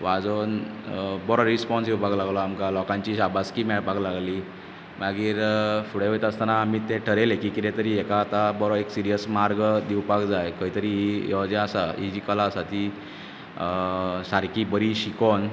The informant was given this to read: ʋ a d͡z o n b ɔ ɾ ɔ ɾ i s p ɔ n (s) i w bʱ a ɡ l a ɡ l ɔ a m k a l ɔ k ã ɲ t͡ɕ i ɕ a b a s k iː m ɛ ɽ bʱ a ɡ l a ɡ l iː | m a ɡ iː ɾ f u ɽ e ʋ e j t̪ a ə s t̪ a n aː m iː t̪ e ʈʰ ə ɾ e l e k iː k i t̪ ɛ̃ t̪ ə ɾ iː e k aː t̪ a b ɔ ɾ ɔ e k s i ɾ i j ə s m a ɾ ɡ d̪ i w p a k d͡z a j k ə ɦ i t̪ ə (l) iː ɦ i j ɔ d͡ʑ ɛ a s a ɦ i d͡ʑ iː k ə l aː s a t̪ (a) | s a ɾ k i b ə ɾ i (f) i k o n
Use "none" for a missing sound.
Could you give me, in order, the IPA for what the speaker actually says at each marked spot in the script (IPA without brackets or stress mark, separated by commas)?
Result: s, ɾ, i, ɕ